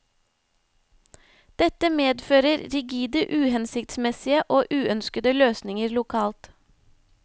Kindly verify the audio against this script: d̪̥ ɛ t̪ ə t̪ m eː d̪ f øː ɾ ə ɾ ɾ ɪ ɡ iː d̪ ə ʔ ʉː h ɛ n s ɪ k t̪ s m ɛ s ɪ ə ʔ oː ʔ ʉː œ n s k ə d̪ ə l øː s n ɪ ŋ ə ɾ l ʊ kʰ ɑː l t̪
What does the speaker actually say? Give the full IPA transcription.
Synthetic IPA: d̪̥ ɛ t̪ ə m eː d̪ f øː ɾ ə ɾ ɾ ɪ ɡ iː d̪ ə ʔ ʉː h ɛ n s ɪ k t̪ s m ɛ s ɪ ə ʔ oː ʔ ʉː œ n s k ə d̪ ə l øː s n ɪ ŋ ə ɾ l ʊ kʰ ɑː l t̪